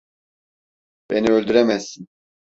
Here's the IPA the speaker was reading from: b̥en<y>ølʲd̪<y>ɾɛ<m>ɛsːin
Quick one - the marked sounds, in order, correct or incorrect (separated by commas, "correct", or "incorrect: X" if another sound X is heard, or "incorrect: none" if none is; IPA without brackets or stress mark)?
incorrect: i, correct, correct